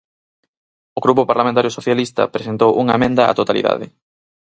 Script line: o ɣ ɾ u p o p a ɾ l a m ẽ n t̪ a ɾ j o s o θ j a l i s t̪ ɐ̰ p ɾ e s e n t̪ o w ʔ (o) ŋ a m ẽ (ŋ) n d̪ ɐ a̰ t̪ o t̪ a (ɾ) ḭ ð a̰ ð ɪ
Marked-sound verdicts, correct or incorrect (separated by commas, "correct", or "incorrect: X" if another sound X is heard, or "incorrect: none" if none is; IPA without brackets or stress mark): incorrect: u, incorrect: none, incorrect: l